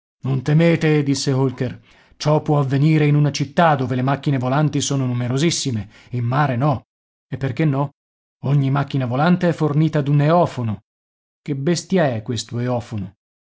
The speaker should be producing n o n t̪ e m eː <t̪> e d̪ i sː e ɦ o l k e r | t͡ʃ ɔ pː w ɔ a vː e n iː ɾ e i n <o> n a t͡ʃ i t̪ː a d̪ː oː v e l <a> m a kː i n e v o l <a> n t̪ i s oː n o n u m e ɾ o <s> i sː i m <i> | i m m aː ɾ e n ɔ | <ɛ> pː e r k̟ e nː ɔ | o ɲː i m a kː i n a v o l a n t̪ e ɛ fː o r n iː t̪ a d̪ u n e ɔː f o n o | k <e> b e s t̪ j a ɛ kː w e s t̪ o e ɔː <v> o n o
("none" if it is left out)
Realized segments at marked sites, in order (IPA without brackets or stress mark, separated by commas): t̪, u, e, a, z, e, e, e, f